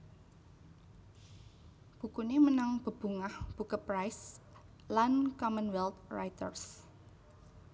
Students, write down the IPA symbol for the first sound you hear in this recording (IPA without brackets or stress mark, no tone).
b̥